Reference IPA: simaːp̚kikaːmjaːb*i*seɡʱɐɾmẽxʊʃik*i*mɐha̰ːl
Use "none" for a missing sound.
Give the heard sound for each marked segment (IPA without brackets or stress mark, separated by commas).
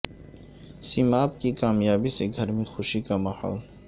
i, a